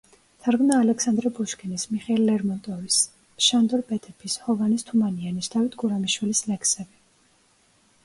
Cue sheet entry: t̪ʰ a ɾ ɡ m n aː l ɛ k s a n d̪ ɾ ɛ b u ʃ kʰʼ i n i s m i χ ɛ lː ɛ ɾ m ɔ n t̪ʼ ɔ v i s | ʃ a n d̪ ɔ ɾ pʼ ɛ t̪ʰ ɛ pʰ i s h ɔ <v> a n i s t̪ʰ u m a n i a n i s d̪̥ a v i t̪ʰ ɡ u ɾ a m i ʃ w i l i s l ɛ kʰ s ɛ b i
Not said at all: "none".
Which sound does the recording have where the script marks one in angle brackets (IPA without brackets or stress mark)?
v